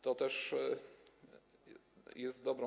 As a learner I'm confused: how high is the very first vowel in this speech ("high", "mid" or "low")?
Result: mid